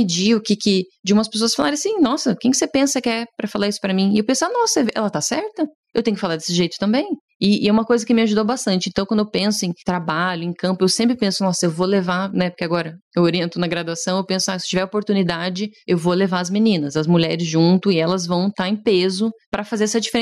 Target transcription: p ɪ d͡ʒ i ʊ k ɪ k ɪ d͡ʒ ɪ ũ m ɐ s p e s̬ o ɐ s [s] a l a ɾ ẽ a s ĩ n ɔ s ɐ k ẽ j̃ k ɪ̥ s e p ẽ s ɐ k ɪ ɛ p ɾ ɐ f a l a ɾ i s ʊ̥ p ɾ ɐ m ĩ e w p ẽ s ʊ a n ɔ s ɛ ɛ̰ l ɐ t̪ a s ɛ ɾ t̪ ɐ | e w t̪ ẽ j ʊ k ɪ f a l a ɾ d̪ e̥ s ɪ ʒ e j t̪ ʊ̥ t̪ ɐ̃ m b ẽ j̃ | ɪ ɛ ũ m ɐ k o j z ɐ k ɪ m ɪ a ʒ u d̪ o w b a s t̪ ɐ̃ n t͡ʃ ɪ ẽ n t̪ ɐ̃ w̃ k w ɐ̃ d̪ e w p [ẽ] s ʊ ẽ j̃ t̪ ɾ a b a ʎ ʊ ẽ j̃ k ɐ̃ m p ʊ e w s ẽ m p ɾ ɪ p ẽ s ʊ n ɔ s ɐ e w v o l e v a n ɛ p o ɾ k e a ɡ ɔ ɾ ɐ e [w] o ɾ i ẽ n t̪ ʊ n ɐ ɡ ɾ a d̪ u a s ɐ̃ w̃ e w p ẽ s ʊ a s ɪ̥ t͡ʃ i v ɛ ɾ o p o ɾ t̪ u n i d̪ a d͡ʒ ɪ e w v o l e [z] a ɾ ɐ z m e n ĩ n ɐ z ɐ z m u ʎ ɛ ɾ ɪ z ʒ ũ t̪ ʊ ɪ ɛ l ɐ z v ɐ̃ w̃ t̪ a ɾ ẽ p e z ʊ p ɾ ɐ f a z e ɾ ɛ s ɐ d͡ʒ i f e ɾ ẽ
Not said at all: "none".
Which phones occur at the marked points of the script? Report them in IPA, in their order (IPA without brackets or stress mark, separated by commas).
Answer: f, ẽ, w, v